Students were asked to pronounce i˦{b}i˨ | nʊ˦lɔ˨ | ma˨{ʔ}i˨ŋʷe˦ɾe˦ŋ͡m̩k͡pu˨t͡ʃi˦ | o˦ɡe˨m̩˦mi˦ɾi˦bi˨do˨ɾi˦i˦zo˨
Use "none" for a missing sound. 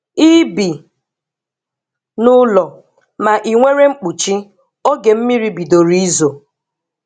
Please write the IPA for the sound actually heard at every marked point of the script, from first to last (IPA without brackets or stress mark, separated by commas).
b, ʔ